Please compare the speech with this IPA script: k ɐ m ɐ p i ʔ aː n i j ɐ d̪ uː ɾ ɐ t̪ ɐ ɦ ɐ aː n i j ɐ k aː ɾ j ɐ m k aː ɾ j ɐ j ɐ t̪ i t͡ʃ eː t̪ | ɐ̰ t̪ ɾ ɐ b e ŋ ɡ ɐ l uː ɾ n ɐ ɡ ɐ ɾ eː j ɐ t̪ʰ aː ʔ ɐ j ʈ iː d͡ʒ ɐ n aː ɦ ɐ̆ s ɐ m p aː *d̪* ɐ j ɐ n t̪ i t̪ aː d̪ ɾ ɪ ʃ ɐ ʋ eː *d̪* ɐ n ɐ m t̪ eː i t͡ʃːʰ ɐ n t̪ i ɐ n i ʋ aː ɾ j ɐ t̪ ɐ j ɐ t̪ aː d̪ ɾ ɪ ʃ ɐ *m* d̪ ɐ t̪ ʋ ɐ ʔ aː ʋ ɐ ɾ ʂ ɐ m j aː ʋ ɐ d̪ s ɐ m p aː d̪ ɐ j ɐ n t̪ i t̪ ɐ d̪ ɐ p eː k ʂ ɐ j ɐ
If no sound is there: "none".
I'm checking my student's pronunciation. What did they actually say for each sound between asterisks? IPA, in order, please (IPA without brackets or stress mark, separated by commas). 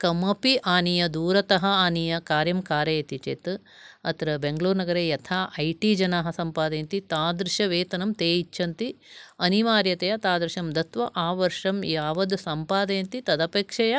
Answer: d̪, t̪, m